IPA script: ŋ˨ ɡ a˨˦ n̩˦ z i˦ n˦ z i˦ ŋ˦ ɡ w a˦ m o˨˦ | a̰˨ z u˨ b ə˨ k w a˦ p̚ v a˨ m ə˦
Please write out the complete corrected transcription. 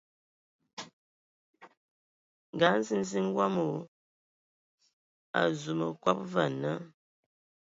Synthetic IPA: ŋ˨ ɡ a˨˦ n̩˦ z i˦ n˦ z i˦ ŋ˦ ɡ w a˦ m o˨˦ | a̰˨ z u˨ m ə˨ k w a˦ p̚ v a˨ n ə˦